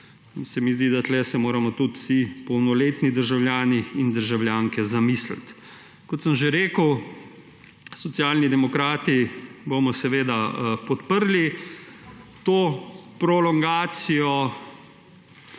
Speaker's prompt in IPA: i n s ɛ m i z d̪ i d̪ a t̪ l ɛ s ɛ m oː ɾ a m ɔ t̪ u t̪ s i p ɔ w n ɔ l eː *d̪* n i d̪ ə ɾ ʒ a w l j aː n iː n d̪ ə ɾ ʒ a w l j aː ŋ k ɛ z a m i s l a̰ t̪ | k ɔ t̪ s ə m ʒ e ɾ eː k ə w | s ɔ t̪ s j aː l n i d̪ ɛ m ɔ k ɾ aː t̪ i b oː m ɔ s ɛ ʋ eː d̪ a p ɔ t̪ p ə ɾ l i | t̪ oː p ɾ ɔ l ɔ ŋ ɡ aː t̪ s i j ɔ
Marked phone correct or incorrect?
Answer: incorrect: t̪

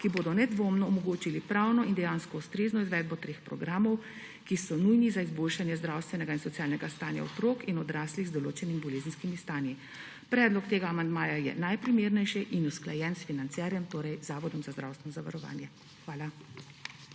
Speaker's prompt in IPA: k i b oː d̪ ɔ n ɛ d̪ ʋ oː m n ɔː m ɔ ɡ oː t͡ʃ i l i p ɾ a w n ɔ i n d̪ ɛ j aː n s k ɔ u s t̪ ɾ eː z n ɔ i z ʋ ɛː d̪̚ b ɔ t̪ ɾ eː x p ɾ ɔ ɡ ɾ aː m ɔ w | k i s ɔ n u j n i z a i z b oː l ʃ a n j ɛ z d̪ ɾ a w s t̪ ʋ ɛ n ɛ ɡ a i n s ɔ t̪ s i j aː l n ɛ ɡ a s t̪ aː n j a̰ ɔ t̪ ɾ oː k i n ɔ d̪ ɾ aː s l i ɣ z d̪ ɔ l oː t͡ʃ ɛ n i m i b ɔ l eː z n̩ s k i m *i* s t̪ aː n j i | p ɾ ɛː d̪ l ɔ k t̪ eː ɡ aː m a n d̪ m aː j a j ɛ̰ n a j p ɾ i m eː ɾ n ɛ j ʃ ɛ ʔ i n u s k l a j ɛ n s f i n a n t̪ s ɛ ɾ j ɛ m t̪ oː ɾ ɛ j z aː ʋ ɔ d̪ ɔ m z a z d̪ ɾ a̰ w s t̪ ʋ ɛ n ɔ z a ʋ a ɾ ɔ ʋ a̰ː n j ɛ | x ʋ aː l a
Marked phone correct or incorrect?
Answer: correct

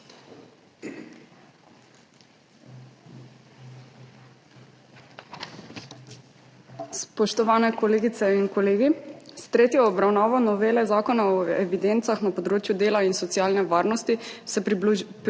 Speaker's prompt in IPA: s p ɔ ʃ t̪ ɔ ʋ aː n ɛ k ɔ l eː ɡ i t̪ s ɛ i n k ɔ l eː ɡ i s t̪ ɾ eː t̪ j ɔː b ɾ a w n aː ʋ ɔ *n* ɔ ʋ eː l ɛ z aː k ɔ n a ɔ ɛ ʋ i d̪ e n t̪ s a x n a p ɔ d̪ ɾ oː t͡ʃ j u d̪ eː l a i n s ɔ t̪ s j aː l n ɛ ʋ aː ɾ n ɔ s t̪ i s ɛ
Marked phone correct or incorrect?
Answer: correct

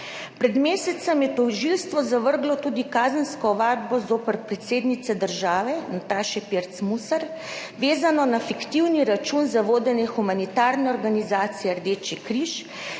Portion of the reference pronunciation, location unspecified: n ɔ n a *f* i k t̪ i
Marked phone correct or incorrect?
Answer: correct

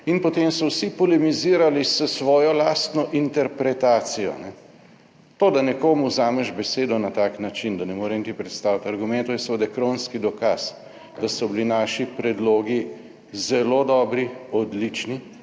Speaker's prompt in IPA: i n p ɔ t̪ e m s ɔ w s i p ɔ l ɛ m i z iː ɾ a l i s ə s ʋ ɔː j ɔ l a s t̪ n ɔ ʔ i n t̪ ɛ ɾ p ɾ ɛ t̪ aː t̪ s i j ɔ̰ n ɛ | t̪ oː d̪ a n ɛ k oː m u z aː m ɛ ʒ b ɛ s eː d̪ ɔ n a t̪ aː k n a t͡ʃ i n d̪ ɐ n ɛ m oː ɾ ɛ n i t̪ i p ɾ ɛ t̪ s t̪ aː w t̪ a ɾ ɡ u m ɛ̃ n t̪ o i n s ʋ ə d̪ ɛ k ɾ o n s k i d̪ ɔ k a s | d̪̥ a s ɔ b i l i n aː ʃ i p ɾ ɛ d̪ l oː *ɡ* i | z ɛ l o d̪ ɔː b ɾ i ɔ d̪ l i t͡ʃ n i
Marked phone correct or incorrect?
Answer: correct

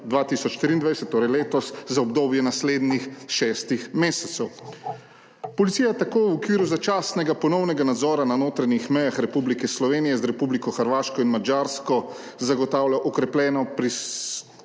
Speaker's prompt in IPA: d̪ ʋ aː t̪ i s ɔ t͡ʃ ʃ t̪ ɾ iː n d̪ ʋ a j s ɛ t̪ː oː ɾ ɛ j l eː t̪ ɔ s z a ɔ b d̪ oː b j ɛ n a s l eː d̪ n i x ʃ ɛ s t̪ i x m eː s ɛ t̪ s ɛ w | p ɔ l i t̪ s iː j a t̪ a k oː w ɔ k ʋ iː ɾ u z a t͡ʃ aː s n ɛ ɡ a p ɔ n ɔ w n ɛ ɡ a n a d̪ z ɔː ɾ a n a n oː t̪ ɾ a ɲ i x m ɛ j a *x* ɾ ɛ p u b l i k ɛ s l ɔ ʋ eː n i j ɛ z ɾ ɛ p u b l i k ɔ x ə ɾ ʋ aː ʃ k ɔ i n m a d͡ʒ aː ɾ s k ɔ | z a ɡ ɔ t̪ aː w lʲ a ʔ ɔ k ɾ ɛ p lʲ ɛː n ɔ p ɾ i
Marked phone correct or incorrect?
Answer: correct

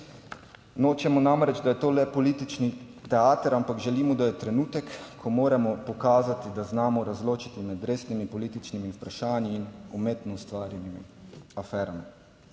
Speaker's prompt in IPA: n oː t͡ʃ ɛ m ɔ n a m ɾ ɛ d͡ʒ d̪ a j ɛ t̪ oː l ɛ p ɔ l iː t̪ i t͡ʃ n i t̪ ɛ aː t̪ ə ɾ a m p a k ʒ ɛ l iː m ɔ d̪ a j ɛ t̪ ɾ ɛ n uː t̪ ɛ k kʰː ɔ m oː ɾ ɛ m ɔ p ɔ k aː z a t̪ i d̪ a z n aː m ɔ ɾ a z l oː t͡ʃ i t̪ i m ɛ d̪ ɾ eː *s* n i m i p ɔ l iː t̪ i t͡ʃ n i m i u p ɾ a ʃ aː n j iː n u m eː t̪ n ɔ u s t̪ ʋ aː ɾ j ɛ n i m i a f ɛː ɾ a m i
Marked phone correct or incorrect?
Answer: correct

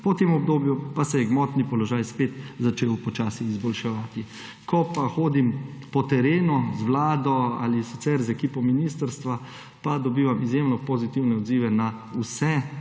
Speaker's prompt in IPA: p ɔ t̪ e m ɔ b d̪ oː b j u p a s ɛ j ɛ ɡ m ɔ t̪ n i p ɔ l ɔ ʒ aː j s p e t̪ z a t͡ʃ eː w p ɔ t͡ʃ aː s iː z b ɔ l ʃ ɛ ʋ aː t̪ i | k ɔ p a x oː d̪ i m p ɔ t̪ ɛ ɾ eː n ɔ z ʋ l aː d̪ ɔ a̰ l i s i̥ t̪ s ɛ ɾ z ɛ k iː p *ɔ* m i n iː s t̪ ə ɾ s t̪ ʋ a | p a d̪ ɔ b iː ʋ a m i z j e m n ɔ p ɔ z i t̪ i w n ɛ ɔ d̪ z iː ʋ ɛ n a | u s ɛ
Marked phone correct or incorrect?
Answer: correct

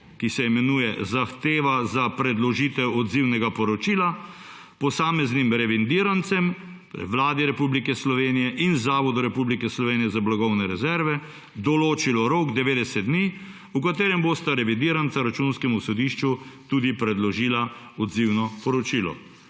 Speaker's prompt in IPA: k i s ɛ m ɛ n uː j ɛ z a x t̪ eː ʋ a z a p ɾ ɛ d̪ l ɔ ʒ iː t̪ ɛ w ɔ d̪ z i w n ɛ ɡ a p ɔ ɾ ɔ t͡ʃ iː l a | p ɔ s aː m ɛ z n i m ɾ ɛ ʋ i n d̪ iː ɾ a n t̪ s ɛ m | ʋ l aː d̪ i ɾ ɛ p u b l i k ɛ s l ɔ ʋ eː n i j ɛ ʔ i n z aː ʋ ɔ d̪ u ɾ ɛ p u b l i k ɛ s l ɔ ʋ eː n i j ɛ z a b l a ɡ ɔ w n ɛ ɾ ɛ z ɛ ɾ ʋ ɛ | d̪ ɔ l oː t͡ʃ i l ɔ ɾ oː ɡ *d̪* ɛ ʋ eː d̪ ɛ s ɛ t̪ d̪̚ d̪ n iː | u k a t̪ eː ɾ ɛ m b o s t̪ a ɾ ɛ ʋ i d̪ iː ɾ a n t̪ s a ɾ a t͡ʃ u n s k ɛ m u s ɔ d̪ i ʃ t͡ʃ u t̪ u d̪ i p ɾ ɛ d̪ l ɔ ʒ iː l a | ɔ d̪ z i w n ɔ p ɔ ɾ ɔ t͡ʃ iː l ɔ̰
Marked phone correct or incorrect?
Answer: correct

